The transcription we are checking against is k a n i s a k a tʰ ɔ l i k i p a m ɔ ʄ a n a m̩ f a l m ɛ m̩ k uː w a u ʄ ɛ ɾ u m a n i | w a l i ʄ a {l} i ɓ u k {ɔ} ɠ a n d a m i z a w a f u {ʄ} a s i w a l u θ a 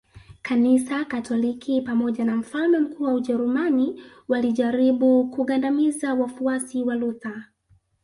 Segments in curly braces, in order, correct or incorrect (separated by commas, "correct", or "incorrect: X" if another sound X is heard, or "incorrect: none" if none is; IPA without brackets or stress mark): incorrect: ɾ, incorrect: u, incorrect: none